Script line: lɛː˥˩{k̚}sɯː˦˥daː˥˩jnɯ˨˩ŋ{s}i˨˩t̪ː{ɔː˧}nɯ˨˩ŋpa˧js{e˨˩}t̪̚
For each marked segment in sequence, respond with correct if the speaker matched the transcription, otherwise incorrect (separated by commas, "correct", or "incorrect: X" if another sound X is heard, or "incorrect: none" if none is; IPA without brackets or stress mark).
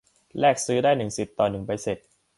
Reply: correct, correct, incorrect: ɔː˨˩, correct